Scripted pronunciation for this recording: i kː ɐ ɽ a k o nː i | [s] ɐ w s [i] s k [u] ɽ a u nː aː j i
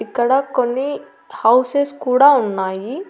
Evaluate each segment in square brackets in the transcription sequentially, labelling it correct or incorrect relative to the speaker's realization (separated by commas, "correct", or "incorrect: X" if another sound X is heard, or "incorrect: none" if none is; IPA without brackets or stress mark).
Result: incorrect: h, incorrect: e, incorrect: uː